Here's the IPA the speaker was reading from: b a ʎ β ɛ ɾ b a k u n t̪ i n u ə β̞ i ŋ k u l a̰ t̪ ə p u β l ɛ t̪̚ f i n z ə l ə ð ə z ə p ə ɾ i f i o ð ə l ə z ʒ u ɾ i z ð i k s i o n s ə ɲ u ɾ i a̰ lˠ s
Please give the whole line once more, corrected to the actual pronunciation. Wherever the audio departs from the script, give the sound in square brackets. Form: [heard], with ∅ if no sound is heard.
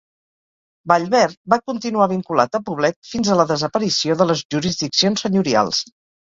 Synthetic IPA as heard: b a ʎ β ɛ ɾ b a k u n t̪ i n u [a] β̞ i ŋ k u l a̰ t̪ ə p u β l ɛ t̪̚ f i n z ə l ə ð ə z ə p ə ɾ i [s] i o ð ə l ə z ʒ u ɾ i z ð i k s i o n s ə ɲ u ɾ i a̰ lˠ s